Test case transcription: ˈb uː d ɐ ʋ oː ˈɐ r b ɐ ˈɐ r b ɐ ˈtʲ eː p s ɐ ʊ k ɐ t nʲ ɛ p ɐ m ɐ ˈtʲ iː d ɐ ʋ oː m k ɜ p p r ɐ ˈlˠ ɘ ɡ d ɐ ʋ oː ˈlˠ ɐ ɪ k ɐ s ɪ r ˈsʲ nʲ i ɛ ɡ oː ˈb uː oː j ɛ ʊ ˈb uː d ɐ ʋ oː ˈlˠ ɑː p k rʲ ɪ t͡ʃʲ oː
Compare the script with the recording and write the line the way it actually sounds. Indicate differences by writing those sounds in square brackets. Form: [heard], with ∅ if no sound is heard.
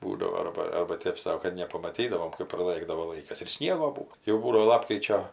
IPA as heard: ˈb uː d ɐ ʋ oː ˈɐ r b ɐ ˈɐ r b ɐ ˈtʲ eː p s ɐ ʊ k ɐ t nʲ ɛ p ɐ m ɐ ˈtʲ iː d ɐ ʋ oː m k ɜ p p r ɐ ˈlˠ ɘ ɡ d ɐ ʋ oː ˈlˠ ɐ ɪ k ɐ s ɪ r ˈsʲ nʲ i ɛ ɡ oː ˈb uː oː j ɛ ʊ ˈb uː d ɐ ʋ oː ˈlˠ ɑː p k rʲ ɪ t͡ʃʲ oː